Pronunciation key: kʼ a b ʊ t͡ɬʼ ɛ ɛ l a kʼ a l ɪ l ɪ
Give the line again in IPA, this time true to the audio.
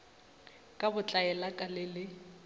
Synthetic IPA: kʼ a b ʊ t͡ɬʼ a ɛ l a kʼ a l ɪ l ɪ